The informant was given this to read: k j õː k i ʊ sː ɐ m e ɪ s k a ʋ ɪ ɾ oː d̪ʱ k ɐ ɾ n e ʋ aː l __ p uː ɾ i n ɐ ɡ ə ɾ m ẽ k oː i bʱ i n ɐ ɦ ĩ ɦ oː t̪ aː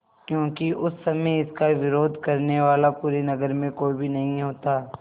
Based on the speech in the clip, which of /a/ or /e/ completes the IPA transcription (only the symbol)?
a